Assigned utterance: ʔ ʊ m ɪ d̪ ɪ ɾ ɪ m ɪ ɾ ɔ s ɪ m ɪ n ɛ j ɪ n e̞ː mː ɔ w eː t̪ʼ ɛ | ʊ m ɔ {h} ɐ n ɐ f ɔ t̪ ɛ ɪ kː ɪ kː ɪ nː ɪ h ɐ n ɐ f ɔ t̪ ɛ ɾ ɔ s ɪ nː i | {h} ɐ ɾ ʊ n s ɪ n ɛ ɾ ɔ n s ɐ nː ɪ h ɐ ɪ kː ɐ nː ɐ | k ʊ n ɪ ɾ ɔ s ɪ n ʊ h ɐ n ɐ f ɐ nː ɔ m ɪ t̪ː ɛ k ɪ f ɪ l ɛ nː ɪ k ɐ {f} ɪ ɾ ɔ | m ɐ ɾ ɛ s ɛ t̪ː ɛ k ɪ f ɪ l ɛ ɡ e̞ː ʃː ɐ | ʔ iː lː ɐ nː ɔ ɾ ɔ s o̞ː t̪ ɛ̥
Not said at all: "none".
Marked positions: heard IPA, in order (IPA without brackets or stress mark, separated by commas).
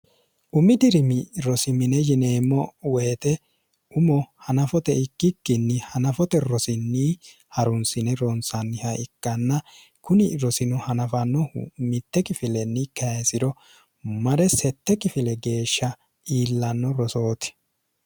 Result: h, h, s